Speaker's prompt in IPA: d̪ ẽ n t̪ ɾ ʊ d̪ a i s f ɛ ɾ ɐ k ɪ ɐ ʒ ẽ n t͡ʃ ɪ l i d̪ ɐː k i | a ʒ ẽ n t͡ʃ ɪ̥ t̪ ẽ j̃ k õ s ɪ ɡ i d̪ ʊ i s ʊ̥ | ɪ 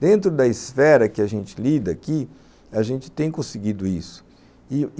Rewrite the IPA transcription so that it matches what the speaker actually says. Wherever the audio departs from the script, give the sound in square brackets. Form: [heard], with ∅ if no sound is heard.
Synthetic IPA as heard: d̪ ẽ n t̪ ɾ ʊ d̪ [ɐ] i s f ɛ ɾ ɐ k ɪ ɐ ʒ ẽ n t͡ʃ ɪ l i d̪ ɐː k i | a ʒ ẽ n t͡ʃ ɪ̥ t̪ ẽ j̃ k õ s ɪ ɡ i d̪ ʊ i s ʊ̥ | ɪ

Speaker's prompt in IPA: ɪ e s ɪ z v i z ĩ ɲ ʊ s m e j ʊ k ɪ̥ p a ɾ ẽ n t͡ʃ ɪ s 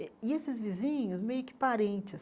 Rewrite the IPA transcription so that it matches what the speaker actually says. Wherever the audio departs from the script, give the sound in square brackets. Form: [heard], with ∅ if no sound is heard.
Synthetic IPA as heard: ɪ e s ɪ z v i z ĩ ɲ ʊ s m e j ʊ k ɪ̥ p a ɾ ẽ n t͡ʃ ɪ s

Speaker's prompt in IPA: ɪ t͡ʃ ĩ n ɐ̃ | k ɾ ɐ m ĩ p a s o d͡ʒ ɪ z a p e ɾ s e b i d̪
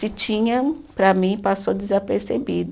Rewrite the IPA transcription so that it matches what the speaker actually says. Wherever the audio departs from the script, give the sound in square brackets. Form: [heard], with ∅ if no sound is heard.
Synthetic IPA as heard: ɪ t͡ʃ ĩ [ɲ] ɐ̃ | [p] ɾ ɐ m ĩ p a s o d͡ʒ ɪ z a p e ɾ s e b i d̪

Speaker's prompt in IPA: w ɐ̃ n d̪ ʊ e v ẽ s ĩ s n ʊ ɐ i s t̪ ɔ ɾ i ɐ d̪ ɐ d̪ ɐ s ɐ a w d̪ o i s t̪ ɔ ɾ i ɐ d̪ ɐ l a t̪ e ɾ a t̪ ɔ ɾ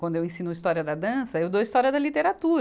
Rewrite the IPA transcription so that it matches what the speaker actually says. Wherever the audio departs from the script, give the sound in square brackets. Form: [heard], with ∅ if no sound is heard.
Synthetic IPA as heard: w ɐ̃ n d̪ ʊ e [w] ẽ s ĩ [∅] n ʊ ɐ i s t̪ ɔ ɾ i ɐ d̪ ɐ d̪ [ɐ̃] s ɐ [e] w d̪ o i s t̪ ɔ ɾ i ɐ d̪ ɐ l [i] t̪ e ɾ a t̪ [u] ɾ

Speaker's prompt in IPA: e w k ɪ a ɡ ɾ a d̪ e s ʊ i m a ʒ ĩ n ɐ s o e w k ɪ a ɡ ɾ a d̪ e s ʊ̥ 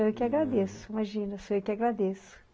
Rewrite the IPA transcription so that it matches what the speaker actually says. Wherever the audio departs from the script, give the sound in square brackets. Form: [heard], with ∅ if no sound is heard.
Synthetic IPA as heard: e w k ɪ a ɡ ɾ a d̪ e s ʊ i m a ʒ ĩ n ɐ s o e w k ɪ a ɡ ɾ a d̪ e s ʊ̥

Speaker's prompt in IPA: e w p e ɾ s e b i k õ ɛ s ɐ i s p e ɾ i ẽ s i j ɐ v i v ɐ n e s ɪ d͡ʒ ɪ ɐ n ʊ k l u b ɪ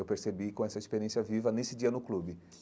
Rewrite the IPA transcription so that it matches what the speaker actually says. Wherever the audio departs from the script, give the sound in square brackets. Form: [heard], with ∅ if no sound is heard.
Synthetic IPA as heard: e w p e ɾ s e b i k õ ɛ s ɐ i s p e ɾ i ẽ s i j ɐ v i v ɐ n e s ɪ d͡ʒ [i] ɐ n ʊ k l u b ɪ

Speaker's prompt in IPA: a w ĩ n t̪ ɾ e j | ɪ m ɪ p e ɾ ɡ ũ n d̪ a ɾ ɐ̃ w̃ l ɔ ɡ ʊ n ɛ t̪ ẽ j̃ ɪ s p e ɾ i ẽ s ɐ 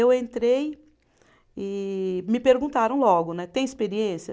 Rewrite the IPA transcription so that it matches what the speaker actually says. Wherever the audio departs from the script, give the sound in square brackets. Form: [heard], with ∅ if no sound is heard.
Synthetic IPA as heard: [e] w [ẽ] n t̪ ɾ e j | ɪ m ɪ p e ɾ ɡ ũ n [t̪] a ɾ ɐ̃ w̃ l ɔ ɡ ʊ n ɛ t̪ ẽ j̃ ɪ s p e ɾ i ẽ s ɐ

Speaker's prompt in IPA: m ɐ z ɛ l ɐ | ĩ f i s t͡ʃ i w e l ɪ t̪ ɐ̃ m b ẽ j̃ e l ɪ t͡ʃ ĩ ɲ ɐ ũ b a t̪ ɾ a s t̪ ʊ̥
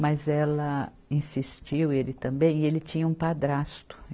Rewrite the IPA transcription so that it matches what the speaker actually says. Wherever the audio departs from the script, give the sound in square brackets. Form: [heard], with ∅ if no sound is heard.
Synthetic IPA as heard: m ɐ z ɛ l ɐ | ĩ [s] i s t͡ʃ i w e l ɪ t̪ ɐ̃ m b ẽ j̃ e l ɪ t͡ʃ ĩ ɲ ɐ ũ [p] a [d̪] ɾ a s t̪ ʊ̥

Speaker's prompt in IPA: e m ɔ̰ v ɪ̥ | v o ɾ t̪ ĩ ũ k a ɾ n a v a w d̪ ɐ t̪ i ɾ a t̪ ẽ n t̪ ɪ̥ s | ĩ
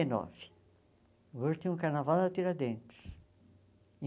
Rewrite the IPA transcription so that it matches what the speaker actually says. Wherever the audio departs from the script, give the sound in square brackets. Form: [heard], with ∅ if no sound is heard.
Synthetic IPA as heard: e [n] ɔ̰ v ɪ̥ | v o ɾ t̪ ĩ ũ k a ɾ n a v a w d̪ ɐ t̪ i ɾ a [d̪] ẽ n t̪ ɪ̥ s | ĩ

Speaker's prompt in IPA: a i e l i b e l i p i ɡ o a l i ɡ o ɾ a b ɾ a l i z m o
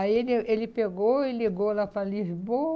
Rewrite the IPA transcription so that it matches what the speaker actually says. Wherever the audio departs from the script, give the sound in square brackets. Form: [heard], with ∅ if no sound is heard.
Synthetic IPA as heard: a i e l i [∅] e l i p [e] ɡ o [i] l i ɡ o [l] a [p] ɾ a l i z [b] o

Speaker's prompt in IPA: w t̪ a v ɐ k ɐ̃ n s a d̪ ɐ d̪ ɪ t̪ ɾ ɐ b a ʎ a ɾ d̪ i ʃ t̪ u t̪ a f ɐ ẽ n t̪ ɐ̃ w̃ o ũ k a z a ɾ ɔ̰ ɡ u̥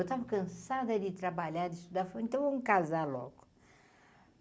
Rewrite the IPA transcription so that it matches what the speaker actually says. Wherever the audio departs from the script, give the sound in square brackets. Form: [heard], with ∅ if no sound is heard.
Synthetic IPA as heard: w t̪ a v ɐ k ɐ̃ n s a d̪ ɐ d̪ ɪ t̪ ɾ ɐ b a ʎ a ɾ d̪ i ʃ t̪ u [d̪] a f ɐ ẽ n t̪ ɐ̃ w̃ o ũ k a z a [l] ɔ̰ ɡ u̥

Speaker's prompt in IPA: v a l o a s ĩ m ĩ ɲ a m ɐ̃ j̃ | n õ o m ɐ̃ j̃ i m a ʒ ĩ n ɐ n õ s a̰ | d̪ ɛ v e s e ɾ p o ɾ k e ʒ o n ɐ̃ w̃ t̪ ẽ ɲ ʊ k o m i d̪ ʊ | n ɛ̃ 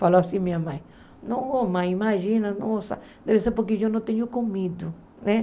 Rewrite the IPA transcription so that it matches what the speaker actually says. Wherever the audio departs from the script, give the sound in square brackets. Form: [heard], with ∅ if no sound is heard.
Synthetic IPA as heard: [f] a l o a s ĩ m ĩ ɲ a m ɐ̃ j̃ | n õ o m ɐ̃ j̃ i m a ʒ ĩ n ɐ n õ s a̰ | d̪ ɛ v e s e ɾ p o ɾ k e ʒ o n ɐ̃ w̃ t̪ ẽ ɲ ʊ k o m i d̪ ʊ | n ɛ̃

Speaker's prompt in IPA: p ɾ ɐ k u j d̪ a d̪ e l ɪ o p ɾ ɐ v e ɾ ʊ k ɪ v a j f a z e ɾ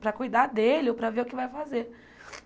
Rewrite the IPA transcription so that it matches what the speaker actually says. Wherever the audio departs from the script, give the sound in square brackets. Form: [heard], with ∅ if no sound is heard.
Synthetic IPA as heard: p ɾ ɐ k u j d̪ a d̪ e l ɪ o p ɾ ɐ v e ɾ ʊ k ɪ v a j f a z e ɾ

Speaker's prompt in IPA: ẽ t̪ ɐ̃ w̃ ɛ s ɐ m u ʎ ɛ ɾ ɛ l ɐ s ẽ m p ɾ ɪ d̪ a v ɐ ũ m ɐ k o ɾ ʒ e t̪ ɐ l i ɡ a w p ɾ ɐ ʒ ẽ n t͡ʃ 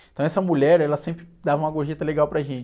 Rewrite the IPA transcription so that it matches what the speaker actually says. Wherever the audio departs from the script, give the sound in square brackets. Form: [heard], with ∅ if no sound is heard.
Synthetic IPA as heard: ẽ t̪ ɐ̃ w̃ ɛ s ɐ m u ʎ ɛ ɾ ɛ l ɐ s ẽ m p ɾ ɪ d̪ a v ɐ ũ m ɐ [ɡ] o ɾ ʒ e t̪ ɐ l [e] ɡ a w p ɾ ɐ ʒ ẽ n t͡ʃ

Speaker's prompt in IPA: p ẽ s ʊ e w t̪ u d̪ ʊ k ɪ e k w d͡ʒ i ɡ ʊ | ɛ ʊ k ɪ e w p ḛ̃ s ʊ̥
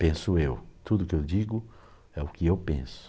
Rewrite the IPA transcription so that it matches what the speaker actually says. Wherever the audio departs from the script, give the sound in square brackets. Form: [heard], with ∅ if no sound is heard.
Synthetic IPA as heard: p ẽ s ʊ e w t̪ u d̪ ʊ k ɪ e [∅] w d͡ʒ i ɡ ʊ | ɛ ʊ k ɪ e w p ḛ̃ s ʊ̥

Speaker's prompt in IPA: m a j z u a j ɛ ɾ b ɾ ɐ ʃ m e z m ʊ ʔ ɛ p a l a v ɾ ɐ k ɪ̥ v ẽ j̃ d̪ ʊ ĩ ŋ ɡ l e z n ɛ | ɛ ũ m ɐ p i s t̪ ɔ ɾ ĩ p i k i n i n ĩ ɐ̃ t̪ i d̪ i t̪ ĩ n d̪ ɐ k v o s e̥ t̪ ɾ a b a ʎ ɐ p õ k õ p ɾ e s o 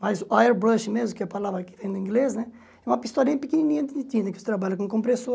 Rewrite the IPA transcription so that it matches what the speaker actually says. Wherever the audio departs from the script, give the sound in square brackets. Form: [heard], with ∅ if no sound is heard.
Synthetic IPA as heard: m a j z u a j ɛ ɾ b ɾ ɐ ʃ m e z m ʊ [k] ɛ p a l a v ɾ ɐ k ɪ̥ v ẽ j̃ d̪ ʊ ĩ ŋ ɡ l e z n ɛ | ɛ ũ m ɐ p i s t̪ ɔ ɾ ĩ p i k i n i n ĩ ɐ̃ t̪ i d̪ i t̪ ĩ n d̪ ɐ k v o s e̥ t̪ ɾ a b a ʎ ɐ [k] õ k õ p ɾ e s o

